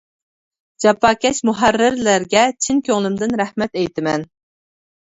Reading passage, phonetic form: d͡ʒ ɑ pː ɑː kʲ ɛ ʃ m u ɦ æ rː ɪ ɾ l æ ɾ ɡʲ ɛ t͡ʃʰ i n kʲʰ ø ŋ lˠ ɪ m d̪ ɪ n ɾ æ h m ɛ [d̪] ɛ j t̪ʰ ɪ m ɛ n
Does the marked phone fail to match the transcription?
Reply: yes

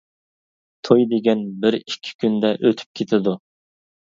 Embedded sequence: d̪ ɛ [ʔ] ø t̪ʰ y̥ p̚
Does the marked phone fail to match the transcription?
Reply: no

